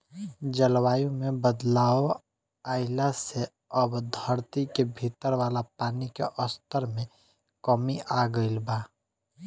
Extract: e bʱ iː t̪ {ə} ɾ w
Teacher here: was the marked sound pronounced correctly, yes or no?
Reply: yes